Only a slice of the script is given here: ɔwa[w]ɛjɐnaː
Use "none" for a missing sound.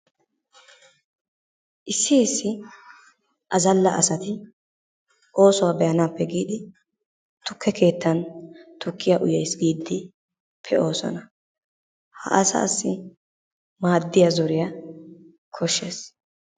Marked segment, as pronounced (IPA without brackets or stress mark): b